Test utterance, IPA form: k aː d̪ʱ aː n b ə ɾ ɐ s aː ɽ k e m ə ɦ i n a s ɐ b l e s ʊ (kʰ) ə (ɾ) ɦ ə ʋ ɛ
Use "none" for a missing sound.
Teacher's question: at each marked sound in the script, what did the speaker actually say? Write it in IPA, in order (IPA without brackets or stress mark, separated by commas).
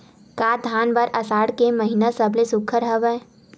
kʰ, ɾ